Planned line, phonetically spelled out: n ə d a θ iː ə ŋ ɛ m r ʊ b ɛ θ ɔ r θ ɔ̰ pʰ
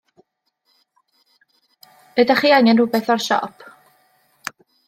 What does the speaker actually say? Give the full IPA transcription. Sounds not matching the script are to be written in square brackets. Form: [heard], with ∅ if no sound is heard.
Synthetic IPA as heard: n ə d a [χ] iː [a] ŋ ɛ [n] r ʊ b ɛ θ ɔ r [ʃ] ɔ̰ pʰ

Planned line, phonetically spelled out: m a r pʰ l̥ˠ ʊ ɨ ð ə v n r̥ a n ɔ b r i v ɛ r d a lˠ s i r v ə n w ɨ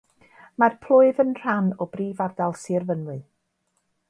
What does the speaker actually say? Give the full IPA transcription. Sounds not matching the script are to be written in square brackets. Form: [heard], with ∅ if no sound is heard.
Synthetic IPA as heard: m a r pʰ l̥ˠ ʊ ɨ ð ə [∅] n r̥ a n ɔ b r [iː] v [a] r d a lˠ s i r v ə n w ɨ

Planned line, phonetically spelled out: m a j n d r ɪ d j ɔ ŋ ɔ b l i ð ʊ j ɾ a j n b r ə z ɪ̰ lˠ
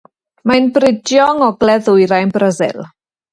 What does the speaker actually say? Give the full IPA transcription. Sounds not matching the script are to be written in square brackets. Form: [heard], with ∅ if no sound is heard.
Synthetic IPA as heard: m a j n [b] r ɪ d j ɔ ŋ ɔ [ɡ] l [ɛ] ð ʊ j ɾ a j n b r ə z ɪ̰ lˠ

